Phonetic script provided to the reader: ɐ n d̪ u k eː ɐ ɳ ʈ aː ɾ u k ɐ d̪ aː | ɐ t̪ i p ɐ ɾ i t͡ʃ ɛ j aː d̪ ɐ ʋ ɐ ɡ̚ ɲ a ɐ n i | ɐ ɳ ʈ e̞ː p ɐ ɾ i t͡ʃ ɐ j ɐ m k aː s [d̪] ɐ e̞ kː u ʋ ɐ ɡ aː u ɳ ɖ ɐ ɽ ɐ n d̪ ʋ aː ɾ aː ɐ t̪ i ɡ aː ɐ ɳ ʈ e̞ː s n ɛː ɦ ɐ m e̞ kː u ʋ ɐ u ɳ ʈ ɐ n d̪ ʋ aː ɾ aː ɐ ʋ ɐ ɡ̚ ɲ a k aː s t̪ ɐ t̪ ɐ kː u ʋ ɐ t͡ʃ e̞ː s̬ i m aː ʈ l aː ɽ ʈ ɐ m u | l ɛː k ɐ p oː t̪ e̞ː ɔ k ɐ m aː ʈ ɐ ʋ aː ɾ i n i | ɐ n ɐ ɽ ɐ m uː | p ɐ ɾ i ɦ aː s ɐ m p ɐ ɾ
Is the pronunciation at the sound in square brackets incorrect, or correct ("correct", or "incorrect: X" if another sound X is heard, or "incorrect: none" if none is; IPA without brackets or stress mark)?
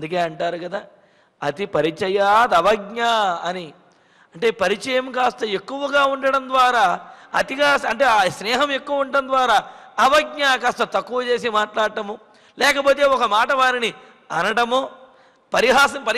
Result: incorrect: t̪